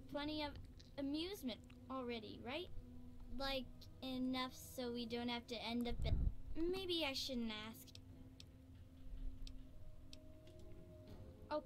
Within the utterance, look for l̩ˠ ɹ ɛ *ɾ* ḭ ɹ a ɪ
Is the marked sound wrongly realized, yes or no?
no